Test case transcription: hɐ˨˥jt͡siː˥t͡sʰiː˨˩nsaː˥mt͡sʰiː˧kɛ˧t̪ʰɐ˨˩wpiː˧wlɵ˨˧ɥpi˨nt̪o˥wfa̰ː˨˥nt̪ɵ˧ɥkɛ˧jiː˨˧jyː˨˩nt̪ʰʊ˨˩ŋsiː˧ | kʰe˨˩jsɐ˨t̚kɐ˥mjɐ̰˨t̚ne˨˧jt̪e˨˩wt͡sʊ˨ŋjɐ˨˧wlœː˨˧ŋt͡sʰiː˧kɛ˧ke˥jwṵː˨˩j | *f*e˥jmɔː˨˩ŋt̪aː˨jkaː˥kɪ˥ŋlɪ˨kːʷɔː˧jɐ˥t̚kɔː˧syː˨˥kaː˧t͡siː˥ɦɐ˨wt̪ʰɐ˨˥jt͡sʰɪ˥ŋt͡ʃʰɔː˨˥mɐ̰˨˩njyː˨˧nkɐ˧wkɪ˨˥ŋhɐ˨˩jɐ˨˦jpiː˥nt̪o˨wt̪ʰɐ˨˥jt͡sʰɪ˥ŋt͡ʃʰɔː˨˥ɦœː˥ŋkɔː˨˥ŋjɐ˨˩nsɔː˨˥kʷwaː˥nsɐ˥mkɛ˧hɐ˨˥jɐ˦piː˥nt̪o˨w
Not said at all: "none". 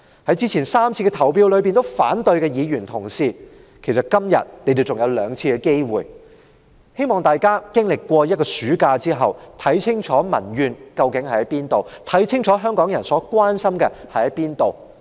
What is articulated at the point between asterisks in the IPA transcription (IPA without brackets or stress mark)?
h